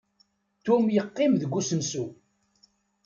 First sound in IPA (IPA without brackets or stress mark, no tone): t̪